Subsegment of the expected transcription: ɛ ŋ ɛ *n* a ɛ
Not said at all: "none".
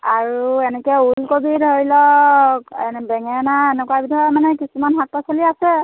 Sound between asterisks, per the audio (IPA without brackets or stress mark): n